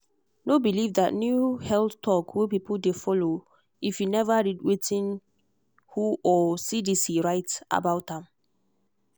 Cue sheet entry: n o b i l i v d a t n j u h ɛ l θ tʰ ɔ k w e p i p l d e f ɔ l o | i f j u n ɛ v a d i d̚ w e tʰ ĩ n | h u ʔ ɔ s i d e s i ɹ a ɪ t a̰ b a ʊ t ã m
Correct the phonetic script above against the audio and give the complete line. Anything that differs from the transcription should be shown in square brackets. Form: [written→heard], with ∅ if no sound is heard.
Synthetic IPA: n o b i l i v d a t n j u h ɛ l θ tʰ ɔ k w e p i p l d e f ɔ l o | i f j u n ɛ v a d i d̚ w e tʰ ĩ n | h u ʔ ɔ s i d [e→i] s i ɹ a ɪ t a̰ b a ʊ t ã m